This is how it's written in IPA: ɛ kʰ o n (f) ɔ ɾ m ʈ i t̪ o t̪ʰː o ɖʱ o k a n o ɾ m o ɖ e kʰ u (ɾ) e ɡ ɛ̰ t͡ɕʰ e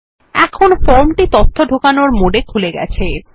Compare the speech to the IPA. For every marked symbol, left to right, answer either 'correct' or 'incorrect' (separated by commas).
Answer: correct, incorrect